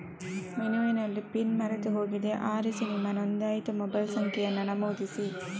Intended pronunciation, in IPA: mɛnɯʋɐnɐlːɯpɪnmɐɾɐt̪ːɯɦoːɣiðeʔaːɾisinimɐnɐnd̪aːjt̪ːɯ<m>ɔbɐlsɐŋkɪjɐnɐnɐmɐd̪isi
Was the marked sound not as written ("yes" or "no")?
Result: no